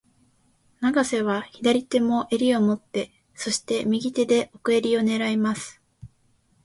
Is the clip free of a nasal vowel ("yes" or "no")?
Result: yes